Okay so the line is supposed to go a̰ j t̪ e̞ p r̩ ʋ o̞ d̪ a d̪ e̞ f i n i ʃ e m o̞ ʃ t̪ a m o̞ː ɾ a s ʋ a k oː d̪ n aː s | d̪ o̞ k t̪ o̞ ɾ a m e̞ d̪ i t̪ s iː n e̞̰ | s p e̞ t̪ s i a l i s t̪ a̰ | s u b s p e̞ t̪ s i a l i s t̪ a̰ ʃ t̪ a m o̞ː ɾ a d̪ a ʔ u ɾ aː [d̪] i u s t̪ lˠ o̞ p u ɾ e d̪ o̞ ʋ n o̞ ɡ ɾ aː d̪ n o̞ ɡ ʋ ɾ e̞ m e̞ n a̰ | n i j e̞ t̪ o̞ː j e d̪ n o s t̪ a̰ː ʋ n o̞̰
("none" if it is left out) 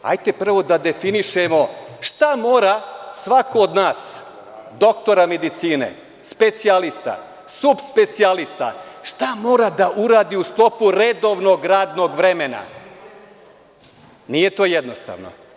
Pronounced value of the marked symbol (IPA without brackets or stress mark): d̪